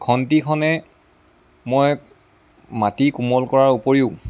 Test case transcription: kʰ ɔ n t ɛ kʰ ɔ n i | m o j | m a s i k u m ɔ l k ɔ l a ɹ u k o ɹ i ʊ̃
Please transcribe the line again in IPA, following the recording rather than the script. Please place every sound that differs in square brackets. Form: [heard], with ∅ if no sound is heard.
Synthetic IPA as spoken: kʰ ɔ n t [i] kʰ ɔ n [ɛ] | m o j | m a [t] i k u m ɔ l k ɔ [ɹ] a ɹ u [p] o ɹ i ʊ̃